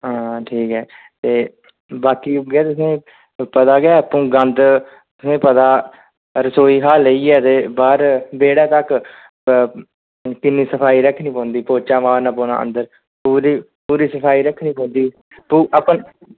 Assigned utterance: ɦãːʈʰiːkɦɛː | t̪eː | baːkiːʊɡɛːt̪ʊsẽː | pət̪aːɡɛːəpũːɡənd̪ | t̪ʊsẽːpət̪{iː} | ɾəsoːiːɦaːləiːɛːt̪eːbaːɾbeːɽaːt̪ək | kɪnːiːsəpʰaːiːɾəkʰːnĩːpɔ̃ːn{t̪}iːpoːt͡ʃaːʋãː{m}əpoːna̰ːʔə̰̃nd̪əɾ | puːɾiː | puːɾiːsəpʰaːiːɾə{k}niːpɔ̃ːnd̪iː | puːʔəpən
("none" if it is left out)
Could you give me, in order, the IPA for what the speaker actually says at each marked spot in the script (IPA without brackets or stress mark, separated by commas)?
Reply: aː, d̪, n, kʰ